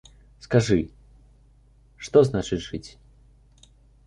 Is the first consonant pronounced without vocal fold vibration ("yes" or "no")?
yes